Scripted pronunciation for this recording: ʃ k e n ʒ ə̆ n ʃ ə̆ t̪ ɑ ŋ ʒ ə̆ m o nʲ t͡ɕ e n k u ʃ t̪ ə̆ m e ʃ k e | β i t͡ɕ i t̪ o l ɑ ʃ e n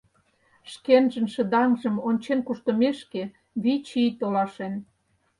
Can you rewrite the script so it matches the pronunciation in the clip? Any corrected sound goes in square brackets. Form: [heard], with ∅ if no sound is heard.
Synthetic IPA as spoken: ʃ k e n ʒ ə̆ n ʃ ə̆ [d̪] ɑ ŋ ʒ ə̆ m o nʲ t͡ɕ e n k u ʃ t̪ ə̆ m e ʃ k e | β i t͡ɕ i t̪ o l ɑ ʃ e n